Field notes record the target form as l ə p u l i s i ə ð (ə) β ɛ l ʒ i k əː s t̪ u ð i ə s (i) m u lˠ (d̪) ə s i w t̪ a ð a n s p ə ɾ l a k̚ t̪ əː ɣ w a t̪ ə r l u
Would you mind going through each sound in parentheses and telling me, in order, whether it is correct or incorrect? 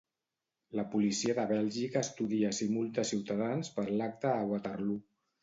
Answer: correct, correct, incorrect: t̪

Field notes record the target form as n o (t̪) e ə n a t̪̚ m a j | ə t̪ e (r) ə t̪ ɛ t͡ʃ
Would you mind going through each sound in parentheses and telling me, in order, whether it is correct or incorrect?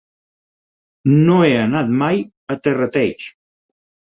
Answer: incorrect: none, correct

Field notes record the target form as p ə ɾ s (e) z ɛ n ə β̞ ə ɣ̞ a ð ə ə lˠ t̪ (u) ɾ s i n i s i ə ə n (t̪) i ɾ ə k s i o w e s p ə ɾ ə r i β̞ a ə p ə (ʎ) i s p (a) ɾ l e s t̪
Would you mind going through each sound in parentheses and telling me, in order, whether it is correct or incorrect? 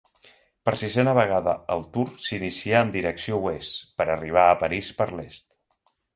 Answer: incorrect: i, correct, incorrect: d̪, incorrect: ɾ, incorrect: ə

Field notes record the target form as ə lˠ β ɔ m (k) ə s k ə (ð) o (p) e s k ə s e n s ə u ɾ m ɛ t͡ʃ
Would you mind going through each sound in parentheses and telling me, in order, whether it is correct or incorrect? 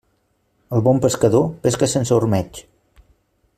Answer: incorrect: p, correct, correct

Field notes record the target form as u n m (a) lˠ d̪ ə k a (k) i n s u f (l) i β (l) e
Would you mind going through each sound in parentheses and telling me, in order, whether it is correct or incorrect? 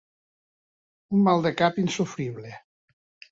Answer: correct, incorrect: p, incorrect: ɾ, correct

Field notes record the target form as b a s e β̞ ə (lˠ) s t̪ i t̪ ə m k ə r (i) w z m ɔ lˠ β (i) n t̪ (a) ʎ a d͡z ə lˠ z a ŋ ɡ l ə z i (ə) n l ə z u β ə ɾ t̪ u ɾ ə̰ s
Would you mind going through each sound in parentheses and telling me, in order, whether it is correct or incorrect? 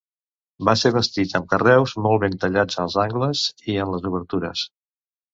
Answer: incorrect: none, incorrect: ɛ, incorrect: e, incorrect: ə, correct

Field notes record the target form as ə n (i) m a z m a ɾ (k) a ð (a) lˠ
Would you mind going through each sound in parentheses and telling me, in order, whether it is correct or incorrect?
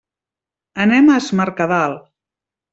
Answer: incorrect: ɛ, correct, correct

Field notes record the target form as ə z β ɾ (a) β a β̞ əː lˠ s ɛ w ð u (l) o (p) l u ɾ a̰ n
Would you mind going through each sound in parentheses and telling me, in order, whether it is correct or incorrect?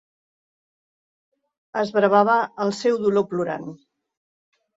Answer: incorrect: ə, correct, correct

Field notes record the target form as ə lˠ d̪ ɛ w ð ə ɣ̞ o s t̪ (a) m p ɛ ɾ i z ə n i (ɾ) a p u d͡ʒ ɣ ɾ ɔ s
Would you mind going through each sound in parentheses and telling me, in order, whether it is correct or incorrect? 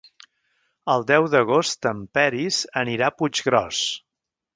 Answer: incorrect: ə, correct

